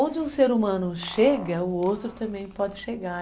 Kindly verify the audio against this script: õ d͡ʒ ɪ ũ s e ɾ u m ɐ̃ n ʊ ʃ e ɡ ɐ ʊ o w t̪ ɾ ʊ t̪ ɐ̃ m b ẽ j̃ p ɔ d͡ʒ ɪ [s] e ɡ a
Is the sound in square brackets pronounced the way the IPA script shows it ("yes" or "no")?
no